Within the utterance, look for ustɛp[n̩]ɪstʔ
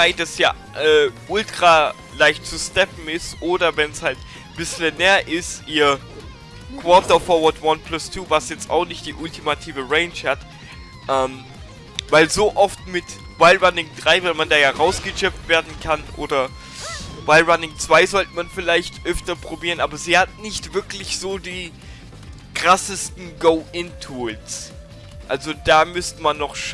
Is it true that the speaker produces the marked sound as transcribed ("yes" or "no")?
no